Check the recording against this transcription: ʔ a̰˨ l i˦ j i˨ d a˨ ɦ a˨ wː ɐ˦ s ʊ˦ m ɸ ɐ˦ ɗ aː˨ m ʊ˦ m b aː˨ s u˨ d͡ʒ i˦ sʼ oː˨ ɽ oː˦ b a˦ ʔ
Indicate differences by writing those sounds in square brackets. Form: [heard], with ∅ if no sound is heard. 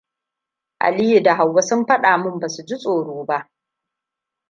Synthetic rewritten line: ʔ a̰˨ l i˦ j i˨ d a˨ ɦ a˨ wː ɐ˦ s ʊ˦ m ɸ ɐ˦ ɗ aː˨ m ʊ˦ m b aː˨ s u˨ d͡ʒ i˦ sʼ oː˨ ɽ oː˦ b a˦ ʔ